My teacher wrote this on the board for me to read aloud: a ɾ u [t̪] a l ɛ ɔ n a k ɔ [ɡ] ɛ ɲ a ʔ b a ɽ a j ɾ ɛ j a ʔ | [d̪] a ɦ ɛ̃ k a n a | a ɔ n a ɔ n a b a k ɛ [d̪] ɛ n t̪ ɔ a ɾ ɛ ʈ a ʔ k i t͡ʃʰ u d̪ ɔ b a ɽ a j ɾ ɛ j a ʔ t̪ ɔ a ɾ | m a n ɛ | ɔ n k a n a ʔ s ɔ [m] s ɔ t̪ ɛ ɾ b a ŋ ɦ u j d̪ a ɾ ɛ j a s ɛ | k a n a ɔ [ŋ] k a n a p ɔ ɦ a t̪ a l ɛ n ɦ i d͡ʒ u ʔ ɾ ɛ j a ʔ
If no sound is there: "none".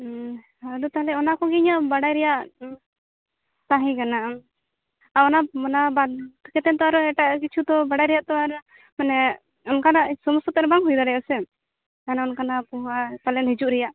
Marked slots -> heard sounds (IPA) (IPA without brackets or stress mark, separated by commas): t̪, ɡ, t̪, t̪, m, n